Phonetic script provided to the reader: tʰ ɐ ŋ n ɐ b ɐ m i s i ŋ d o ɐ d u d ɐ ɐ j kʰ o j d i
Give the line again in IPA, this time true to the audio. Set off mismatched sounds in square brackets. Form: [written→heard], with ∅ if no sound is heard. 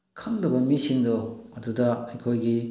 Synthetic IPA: [tʰ→kʰ] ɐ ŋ [n→d] ɐ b ɐ m i s i ŋ d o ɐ d u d ɐ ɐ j kʰ o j [d→ɡ] i